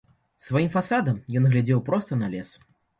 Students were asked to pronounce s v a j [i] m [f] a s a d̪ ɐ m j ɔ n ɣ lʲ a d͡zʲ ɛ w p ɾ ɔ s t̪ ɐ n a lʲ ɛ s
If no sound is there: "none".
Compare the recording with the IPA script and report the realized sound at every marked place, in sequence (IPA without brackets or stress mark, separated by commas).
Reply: i, f